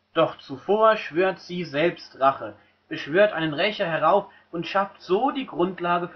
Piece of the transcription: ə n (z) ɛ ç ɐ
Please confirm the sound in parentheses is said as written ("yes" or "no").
no